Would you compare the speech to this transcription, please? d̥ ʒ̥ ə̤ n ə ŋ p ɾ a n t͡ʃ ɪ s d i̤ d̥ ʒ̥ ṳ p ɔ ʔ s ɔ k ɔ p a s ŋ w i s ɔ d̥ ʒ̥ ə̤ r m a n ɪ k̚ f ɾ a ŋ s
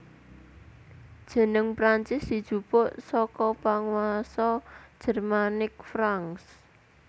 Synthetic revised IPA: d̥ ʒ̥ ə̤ n ə ŋ p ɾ a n t͡ʃ ɪ s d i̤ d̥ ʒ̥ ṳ p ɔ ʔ s ɔ k ɔ p a ŋ w a s ɔ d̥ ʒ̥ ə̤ r m a n ɪ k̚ f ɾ a ŋ s